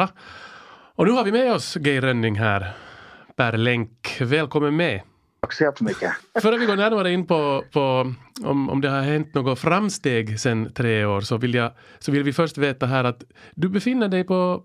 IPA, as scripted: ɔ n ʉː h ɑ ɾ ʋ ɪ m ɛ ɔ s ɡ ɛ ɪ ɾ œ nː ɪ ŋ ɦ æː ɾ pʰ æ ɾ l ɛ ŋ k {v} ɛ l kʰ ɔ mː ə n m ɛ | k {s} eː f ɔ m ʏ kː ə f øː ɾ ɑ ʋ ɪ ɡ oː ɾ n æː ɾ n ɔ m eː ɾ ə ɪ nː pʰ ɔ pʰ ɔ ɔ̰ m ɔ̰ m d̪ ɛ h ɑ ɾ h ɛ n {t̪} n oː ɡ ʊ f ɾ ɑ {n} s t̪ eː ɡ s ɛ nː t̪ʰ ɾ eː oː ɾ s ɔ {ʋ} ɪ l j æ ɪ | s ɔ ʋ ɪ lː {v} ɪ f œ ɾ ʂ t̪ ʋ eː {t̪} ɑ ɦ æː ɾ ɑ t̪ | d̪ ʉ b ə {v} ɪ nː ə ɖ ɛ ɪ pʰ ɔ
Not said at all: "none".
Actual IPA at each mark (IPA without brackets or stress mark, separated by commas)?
ʋ, s, t̪, m, ʋ, ʋ, t̪, f